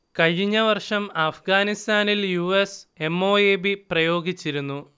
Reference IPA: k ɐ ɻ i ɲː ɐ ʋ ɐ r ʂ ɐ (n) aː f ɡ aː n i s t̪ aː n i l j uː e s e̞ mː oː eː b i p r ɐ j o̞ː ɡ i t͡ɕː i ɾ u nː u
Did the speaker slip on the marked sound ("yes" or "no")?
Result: yes